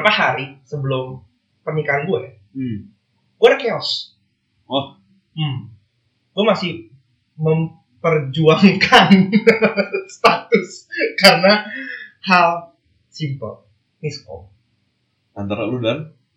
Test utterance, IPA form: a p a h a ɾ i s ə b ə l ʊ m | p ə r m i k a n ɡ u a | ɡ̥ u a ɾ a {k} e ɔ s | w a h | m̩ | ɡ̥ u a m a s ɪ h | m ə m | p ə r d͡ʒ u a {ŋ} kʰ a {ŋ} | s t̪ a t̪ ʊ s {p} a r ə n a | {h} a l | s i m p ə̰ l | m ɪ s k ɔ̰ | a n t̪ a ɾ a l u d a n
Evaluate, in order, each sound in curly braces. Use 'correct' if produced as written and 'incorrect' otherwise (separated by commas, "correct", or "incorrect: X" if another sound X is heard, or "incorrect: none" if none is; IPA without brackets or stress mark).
correct, correct, incorrect: n, incorrect: k, correct